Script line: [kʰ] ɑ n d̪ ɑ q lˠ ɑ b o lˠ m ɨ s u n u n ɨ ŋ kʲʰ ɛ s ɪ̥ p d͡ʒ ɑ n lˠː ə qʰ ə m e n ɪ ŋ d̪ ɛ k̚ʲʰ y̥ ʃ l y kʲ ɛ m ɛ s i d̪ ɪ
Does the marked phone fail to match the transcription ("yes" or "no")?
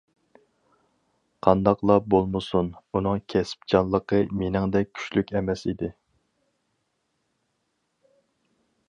yes